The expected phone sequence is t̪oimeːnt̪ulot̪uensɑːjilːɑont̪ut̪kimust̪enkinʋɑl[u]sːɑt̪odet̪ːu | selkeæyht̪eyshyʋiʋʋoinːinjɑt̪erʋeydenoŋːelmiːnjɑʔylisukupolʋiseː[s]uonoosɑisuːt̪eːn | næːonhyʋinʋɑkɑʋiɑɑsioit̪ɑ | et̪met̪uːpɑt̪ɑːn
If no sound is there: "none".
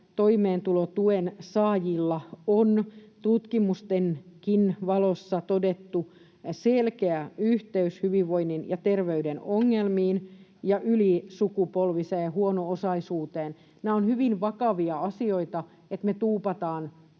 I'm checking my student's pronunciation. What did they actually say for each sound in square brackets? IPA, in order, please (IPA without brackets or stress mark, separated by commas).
o, h